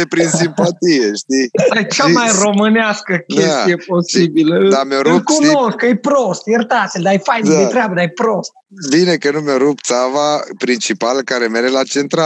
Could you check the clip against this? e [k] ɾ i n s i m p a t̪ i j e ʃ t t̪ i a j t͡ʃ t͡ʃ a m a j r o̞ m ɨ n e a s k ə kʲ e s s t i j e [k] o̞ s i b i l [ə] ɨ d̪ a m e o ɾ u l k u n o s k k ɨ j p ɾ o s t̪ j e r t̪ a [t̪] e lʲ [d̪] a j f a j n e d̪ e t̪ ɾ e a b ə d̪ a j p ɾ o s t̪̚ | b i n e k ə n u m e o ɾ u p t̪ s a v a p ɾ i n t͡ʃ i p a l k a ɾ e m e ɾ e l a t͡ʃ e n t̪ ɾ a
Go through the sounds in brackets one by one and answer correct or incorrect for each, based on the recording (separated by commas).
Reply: incorrect, incorrect, correct, correct, correct